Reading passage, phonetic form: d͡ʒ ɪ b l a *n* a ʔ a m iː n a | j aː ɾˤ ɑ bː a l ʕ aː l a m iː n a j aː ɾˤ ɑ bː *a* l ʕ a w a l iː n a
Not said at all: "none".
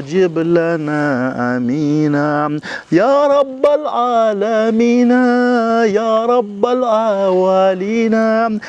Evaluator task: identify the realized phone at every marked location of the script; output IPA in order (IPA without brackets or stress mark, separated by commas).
n, a